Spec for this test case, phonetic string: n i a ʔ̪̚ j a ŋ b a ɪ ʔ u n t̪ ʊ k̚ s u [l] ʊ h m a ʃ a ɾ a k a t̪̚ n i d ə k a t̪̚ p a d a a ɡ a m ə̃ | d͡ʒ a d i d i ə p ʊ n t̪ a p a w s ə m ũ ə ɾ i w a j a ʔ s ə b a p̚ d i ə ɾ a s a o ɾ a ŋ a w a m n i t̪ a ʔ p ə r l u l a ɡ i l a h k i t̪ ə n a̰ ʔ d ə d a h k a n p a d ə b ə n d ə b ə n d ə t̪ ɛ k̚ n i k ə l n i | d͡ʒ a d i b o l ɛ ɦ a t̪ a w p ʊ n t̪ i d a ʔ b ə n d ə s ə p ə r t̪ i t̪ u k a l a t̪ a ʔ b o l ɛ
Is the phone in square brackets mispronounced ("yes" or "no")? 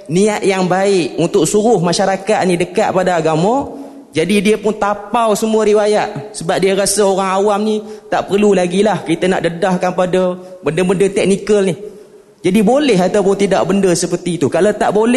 yes